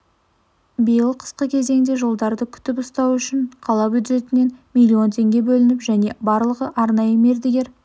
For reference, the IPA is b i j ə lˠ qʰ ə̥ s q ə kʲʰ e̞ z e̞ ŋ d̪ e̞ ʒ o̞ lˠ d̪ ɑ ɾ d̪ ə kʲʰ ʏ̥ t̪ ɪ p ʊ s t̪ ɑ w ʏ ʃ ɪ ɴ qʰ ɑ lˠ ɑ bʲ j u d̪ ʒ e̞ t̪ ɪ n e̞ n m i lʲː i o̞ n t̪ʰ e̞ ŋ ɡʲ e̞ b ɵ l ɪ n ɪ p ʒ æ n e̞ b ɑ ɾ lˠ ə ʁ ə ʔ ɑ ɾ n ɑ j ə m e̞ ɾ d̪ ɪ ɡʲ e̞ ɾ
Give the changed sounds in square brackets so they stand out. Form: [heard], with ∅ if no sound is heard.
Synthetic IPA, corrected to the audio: b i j ə lˠ qʰ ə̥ s q ə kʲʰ e̞ z e̞ ŋ d̪ e̞ ʒ o̞ lˠ d̪ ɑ ɾ d̪ ə kʲʰ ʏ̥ t̪ ɪ p ʊ s t̪ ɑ w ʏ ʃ ɪ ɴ qʰ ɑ lˠ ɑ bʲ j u d̪ ʒ e̞ t̪ ɪ n e̞ n m i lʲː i o̞ n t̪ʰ e̞ ŋ ɡʲ e̞ b ɵ l ɪ n ɪ p ʒ æ n e̞ b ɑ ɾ lˠ ə ʁ ə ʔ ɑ ɾ n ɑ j ə m e̞ ɾ d̪ ɪ ɡʲ e̞ ɾ

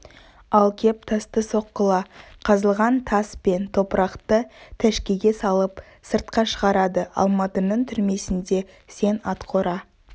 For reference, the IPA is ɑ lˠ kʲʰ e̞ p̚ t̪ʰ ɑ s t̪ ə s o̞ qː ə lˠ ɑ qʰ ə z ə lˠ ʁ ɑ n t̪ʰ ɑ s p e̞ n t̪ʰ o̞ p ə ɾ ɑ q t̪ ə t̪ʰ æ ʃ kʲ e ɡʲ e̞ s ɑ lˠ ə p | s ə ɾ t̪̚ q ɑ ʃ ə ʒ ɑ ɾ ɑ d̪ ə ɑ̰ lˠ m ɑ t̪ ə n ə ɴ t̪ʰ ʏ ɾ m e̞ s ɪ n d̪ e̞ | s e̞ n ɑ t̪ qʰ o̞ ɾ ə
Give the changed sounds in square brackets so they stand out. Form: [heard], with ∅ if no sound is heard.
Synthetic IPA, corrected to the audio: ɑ lˠ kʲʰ e̞ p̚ t̪ʰ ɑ s t̪ ə s o̞ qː ə lˠ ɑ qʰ [ɑ] z ə lˠ ʁ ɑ n t̪ʰ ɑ s p e̞ n t̪ʰ o̞ p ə ɾ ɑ q t̪ ə t̪ʰ æ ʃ kʲ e ɡʲ e̞ s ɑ lˠ ə p | s ə ɾ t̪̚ q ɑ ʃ ə [ʁ] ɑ ɾ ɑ d̪ ə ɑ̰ lˠ m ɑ t̪ ə n ə ɴ t̪ʰ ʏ ɾ m e̞ s ɪ n d̪ e̞ | s e̞ n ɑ t̪ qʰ o̞ ɾ [ɑ]

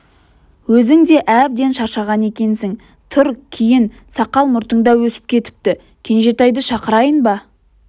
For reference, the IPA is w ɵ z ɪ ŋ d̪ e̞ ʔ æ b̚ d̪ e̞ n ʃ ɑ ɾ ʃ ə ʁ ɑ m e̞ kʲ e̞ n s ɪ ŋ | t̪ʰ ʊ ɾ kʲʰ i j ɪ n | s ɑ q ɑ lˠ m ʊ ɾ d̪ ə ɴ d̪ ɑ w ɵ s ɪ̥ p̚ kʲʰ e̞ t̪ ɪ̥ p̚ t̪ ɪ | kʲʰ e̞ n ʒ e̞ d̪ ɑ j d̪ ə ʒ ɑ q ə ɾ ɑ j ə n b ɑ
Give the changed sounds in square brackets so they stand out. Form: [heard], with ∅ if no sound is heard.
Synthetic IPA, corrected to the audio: w ɵ z ɪ ŋ d̪ e̞ ʔ æ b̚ d̪ e̞ n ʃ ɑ ɾ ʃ [ɑ] ʁ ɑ [n] e̞ kʲ e̞ n s ɪ ŋ | t̪ʰ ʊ ɾ kʲʰ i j ɪ n | s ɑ q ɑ lˠ m ʊ ɾ [t̪] ə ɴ d̪ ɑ w ɵ s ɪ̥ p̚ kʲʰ e̞ t̪ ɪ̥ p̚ t̪ ɪ | kʲʰ e̞ n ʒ e̞ [t̪] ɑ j d̪ ə [ʃ] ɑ q ə ɾ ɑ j ə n b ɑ

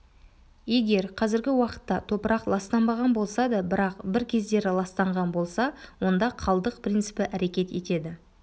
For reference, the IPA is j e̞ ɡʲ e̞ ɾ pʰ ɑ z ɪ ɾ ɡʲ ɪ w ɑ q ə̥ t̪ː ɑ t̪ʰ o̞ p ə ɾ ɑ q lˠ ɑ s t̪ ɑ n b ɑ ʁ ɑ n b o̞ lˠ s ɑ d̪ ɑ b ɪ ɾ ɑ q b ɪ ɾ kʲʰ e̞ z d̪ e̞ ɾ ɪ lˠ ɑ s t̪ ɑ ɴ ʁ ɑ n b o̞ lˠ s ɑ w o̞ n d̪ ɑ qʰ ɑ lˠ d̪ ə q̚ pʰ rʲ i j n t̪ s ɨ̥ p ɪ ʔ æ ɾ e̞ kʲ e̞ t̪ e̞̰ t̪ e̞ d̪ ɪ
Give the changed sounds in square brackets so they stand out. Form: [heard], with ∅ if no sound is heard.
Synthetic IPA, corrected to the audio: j e̞ ɡʲ e̞ ɾ [qʰ] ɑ z ɪ ɾ ɡʲ ɪ w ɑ q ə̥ t̪ː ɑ t̪ʰ o̞ p ə ɾ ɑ q lˠ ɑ s t̪ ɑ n b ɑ ʁ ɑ n b o̞ lˠ s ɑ d̪ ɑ b ɪ ɾ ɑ q b ɪ ɾ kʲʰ e̞ z d̪ e̞ ɾ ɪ lˠ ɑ s t̪ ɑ ɴ ʁ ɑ n b o̞ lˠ s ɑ w o̞ n d̪ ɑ qʰ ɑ lˠ d̪ ə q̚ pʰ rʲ i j n t̪ s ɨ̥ p ɪ ʔ æ ɾ e̞ kʲ e̞ t̪ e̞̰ t̪ e̞ d̪ ɪ

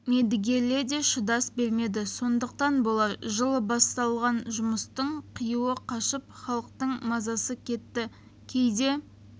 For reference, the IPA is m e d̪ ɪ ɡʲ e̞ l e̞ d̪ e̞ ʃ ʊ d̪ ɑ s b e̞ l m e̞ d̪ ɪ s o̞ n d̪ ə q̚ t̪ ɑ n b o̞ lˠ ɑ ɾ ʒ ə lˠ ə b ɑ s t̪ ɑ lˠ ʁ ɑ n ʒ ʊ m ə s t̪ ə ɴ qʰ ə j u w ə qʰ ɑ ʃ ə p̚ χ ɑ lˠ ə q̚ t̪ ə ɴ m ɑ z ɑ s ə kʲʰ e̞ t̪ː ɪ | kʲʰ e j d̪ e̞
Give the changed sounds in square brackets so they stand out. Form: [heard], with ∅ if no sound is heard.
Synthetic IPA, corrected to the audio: m e d̪ ɪ ɡʲ e̞ l e̞ d̪ e̞ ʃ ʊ d̪ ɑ s b e̞ l m e̞ d̪ ɪ s o̞ n d̪ ə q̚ t̪ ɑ n b o̞ lˠ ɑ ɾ ʒ ə lˠ ə b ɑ s t̪ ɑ lˠ ʁ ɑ n ʒ ʊ m ə s t̪ ə ɴ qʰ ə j u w ə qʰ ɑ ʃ ə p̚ χ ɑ lˠ ə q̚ t̪ ə ɴ m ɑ z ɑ s ə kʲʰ e̞ t̪ː ɪ | kʲʰ e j d̪ e̞

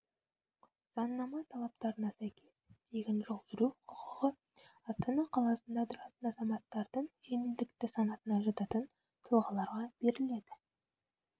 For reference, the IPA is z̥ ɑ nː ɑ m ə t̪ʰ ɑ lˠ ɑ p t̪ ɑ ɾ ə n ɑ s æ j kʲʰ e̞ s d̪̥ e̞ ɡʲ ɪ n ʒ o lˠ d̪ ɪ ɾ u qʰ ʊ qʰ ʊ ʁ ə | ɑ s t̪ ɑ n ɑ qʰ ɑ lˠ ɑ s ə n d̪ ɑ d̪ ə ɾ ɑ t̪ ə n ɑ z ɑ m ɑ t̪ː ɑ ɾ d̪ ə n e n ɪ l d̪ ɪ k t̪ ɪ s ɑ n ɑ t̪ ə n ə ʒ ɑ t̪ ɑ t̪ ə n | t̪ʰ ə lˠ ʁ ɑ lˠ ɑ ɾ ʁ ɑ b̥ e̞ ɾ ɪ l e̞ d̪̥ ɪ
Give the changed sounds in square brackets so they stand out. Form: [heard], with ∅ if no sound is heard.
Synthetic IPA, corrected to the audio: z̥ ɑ nː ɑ m [ɑ] t̪ʰ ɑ lˠ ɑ p t̪ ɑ ɾ ə n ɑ s æ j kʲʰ e̞ s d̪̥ e̞ ɡʲ ɪ n ʒ o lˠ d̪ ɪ ɾ u qʰ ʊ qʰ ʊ ʁ ə | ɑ s t̪ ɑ n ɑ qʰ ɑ lˠ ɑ s ə n d̪ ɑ d̪ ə ɾ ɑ t̪ ə n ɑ z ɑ m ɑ t̪ː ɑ ɾ d̪ ə [ɴ] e n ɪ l d̪ ɪ k t̪ ɪ s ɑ n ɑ t̪ ə n [ɑ] ʒ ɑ t̪ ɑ t̪ ə n | t̪ʰ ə lˠ ʁ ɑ lˠ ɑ ɾ ʁ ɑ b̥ e̞ ɾ ɪ l e̞ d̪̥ ɪ

